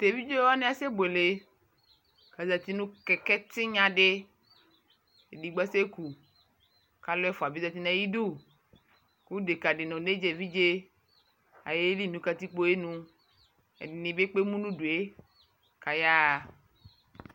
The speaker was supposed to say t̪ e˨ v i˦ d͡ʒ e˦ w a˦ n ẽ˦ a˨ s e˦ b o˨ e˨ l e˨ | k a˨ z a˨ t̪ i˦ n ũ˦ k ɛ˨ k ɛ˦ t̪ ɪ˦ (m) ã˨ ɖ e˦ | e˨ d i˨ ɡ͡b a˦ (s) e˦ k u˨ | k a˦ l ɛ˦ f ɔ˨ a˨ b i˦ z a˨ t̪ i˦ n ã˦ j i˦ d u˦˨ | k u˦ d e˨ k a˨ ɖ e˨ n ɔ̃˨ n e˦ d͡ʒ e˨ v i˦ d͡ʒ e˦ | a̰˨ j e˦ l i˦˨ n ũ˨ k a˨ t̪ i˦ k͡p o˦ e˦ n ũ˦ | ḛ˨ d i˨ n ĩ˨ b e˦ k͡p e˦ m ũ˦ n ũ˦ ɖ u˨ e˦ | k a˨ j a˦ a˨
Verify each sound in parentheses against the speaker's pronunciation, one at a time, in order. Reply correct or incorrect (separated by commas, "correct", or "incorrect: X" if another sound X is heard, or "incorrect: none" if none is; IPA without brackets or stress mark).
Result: incorrect: ɲ, correct